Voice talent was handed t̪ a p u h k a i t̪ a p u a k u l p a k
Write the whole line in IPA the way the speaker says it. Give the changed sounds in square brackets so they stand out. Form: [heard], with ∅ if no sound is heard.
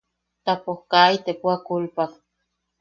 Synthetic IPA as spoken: t̪ a p [o] h k a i t̪ [e] p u a k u l p a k